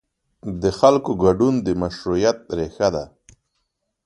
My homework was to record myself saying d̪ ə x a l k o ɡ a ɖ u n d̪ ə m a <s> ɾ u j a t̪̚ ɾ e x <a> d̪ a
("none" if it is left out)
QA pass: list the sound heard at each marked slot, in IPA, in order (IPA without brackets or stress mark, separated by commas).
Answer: ʃ, a